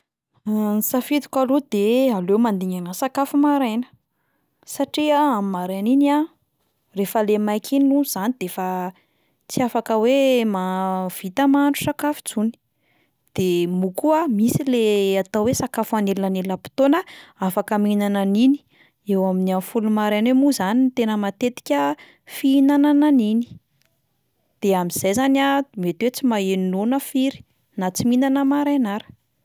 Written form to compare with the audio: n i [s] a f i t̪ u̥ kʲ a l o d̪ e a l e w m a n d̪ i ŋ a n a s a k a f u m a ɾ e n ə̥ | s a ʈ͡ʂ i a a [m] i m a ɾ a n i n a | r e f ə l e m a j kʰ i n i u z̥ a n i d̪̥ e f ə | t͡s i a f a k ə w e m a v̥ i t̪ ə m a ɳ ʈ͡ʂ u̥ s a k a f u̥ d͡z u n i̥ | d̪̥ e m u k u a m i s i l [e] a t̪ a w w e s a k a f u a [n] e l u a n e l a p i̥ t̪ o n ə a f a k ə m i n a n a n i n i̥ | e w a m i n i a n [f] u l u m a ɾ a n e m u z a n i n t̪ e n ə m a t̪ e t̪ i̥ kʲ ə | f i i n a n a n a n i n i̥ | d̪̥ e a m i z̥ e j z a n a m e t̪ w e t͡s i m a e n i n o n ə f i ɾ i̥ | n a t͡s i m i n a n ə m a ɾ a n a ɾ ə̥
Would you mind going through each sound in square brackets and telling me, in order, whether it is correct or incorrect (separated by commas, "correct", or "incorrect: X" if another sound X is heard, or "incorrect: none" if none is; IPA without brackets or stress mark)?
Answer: correct, correct, correct, correct, correct